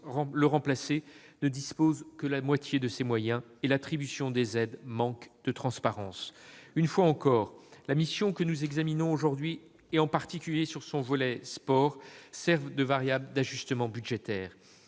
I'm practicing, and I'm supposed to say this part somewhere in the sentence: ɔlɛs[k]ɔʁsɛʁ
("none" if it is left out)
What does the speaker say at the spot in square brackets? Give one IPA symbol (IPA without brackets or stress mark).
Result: p